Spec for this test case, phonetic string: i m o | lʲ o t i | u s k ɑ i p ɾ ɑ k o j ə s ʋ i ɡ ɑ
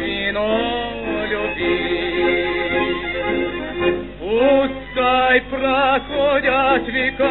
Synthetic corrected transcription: i n o | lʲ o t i | u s k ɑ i p r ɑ k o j ɑ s ʋ i k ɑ